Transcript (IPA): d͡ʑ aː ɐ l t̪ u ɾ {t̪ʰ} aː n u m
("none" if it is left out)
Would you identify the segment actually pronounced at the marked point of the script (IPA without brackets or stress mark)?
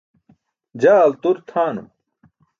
t̪ʰ